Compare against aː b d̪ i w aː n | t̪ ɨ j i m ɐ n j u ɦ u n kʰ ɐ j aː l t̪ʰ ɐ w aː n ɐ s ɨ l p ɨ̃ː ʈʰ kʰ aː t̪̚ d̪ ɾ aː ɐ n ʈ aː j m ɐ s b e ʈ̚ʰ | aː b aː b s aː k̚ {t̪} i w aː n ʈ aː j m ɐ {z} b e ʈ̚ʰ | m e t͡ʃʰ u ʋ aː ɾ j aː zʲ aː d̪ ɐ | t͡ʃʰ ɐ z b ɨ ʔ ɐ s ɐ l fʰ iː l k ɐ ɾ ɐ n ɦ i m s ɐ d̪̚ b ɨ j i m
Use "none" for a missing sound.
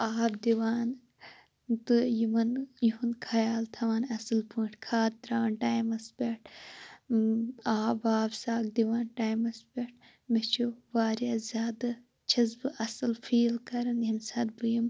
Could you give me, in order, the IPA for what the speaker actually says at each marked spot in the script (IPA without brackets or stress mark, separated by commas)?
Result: d̪, s